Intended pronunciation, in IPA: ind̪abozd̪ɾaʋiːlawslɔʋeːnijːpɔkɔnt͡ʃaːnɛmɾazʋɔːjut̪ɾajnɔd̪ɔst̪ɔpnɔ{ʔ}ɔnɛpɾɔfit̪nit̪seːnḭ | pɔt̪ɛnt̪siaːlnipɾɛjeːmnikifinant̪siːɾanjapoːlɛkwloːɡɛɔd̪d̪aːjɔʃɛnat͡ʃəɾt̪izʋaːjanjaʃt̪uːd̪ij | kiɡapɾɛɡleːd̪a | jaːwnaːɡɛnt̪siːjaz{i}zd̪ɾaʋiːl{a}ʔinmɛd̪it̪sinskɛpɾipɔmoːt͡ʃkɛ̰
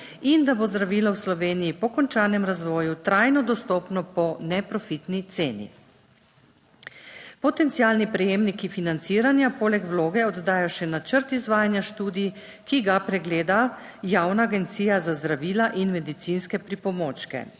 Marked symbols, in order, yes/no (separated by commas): no, no, yes